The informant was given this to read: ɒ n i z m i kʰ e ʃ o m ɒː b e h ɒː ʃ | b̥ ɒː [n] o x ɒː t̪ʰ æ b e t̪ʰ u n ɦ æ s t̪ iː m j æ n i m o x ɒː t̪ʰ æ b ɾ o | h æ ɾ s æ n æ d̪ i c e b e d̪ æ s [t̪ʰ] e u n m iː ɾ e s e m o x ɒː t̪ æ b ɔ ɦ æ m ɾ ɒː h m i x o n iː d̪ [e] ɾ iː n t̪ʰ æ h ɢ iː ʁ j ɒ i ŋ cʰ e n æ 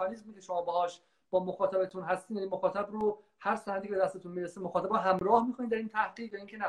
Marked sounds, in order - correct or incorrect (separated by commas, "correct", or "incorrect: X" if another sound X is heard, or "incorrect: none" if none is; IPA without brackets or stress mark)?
incorrect: m, incorrect: t̪, incorrect: æ